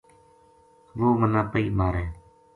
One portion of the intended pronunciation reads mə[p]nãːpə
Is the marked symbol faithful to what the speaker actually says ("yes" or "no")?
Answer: no